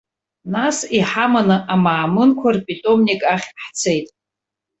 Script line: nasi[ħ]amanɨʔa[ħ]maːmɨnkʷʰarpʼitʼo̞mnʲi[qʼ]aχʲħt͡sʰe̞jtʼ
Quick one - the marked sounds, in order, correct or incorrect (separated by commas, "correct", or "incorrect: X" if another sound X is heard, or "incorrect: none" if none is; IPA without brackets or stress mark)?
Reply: correct, incorrect: none, incorrect: kʼ